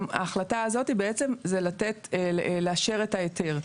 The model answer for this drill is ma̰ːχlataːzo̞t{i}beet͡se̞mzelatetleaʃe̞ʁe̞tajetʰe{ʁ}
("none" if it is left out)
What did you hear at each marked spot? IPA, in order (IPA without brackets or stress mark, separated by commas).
i, ʁ